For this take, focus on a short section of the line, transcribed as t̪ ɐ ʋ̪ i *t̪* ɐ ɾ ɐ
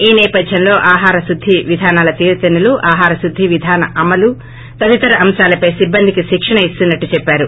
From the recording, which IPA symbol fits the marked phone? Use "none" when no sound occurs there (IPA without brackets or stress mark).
t̪